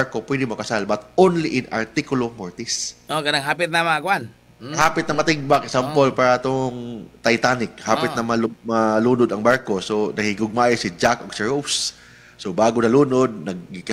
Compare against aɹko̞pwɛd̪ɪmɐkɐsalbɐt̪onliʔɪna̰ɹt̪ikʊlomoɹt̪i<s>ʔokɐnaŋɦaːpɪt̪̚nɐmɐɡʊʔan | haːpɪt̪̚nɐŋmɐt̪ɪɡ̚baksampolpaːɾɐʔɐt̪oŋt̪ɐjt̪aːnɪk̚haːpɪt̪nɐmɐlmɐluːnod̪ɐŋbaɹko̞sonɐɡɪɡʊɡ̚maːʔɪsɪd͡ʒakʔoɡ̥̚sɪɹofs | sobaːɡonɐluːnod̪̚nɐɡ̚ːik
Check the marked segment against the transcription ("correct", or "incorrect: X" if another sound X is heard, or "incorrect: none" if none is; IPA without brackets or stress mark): correct